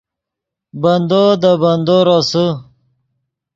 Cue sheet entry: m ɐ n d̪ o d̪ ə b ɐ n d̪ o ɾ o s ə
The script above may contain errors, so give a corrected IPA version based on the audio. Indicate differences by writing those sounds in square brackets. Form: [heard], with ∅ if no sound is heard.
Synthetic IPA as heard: [b] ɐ n d̪ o d̪ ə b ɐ n d̪ o ɾ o s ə